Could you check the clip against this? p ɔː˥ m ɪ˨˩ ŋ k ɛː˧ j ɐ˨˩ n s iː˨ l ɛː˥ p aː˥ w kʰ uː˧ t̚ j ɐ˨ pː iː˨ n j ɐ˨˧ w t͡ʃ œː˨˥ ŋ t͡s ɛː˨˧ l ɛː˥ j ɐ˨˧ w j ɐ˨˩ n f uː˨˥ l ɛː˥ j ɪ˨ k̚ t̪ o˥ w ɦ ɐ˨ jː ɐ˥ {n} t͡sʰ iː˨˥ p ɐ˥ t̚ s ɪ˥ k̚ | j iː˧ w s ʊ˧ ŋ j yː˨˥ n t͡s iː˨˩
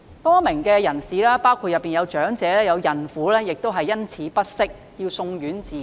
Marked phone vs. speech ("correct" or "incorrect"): correct